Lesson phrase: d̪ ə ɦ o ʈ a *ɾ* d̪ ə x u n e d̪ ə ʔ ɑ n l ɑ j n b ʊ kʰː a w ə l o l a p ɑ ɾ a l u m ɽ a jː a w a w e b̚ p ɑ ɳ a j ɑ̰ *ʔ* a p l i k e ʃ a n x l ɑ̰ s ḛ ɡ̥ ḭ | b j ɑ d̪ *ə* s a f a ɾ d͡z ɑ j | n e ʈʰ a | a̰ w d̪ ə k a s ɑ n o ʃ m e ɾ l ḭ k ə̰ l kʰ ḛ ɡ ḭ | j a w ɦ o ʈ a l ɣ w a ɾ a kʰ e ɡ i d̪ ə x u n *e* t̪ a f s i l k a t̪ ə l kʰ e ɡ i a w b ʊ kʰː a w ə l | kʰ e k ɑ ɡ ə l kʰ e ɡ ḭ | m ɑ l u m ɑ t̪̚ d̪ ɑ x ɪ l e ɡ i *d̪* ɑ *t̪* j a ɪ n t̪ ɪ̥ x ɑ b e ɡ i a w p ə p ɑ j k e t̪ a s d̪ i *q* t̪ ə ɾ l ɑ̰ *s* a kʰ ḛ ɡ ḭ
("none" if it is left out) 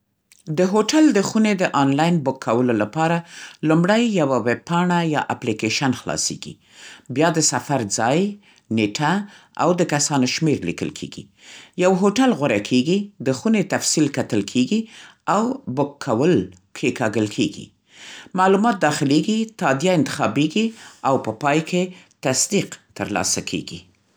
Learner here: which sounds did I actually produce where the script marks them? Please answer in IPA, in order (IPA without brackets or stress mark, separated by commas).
l, ʔ, ə, e, t̪, d̪, q, s